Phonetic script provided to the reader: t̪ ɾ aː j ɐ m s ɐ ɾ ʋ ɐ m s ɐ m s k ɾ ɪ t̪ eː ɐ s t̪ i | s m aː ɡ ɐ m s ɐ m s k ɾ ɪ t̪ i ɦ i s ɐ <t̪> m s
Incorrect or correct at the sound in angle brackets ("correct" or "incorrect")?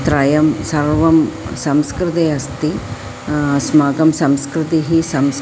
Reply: incorrect